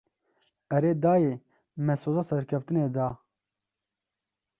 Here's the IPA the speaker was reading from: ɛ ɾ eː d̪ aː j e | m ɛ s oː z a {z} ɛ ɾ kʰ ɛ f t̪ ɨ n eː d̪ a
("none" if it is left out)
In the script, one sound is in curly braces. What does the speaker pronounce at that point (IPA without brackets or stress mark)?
s